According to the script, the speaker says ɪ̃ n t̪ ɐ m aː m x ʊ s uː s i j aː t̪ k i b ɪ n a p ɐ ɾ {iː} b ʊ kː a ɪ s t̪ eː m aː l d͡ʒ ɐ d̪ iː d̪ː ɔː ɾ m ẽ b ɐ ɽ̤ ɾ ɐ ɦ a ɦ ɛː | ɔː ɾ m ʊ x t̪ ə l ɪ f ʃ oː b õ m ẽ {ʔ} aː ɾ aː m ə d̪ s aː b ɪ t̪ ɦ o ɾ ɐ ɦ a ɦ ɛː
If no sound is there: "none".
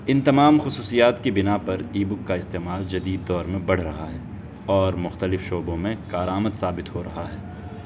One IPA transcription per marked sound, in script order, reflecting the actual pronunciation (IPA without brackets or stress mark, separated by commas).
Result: iː, k